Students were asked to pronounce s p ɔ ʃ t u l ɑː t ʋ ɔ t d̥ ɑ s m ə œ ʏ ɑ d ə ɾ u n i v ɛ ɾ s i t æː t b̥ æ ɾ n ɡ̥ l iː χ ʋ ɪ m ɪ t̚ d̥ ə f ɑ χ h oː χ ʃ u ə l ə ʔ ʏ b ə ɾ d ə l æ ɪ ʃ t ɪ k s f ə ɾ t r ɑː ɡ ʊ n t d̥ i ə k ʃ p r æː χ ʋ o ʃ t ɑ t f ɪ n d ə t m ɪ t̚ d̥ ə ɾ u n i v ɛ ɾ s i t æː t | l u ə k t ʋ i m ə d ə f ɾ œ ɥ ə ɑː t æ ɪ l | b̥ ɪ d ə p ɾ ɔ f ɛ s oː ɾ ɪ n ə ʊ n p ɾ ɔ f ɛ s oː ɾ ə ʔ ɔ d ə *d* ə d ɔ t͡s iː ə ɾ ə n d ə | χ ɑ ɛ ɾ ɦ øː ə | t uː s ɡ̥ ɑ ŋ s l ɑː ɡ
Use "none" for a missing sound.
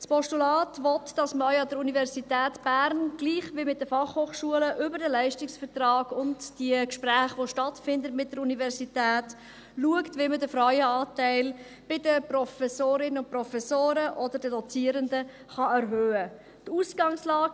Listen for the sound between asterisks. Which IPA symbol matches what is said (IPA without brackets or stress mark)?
d